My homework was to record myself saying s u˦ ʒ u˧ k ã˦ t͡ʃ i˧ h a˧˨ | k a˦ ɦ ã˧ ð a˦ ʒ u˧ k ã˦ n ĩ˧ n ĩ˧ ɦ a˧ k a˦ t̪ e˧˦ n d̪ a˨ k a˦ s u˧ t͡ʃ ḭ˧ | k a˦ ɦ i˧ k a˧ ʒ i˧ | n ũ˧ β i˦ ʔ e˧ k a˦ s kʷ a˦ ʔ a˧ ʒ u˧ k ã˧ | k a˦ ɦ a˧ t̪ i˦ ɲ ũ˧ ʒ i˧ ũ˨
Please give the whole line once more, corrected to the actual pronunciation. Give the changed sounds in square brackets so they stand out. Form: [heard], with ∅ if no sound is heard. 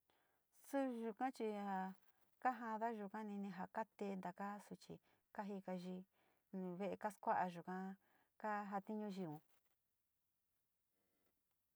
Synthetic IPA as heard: s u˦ ʒ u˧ k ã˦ t͡ʃ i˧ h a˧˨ | k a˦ ɦ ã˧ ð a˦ ʒ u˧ k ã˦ n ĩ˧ n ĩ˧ ɦ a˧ k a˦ t̪ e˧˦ n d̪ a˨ k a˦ s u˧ t͡ʃ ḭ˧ | k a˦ ɦ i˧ k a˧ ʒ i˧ | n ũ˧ β [e˦] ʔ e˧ k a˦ s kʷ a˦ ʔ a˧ ʒ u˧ k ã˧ | k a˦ ɦ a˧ t̪ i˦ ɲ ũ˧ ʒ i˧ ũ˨